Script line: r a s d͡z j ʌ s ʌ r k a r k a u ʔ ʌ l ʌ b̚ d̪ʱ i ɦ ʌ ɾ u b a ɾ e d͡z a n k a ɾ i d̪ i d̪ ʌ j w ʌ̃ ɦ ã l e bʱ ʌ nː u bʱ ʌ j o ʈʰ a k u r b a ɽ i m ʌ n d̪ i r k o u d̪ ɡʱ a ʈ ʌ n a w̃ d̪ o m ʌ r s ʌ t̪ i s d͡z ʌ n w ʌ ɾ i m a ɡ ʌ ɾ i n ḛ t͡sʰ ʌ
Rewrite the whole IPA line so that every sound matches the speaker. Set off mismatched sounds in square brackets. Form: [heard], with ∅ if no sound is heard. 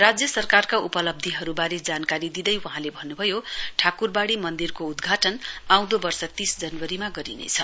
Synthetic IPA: r a [∅] d͡z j ʌ s ʌ r k a r k a u [p] ʌ l ʌ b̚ d̪ʱ i ɦ ʌ ɾ u b a ɾ e d͡z a n k a ɾ i d̪ i d̪ ʌ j w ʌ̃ ɦ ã l e bʱ ʌ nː u bʱ ʌ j o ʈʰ a k u r b a ɽ i m ʌ n d̪ i r k o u d̪ ɡʱ a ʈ ʌ n a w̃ d̪ o [b] ʌ r s ʌ t̪ i s d͡z ʌ n w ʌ ɾ i m a ɡ ʌ ɾ i n ḛ t͡sʰ ʌ